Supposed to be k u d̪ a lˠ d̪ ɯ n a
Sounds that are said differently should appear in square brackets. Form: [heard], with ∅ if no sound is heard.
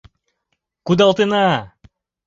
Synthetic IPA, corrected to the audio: k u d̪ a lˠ [t̪] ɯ n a